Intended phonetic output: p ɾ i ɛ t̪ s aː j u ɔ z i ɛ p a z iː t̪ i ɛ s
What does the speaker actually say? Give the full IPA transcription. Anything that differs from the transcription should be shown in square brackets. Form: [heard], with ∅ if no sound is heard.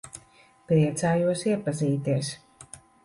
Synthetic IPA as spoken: p ɾ i ɛ t̪ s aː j u ɔ [s] i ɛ p a z iː t̪ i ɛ s